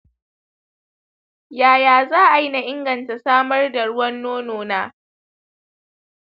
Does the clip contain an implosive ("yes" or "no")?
no